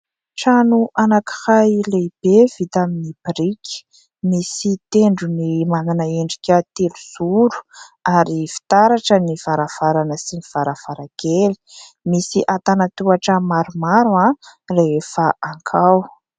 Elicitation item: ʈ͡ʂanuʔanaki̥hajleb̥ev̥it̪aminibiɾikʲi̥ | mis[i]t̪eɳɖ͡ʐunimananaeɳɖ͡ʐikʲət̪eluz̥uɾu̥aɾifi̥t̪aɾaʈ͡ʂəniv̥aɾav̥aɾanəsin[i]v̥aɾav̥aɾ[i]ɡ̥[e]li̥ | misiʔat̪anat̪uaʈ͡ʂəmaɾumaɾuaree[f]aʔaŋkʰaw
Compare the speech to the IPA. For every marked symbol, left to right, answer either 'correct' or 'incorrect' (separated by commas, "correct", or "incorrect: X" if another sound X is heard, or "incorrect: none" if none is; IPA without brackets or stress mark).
correct, correct, incorrect: a, correct, correct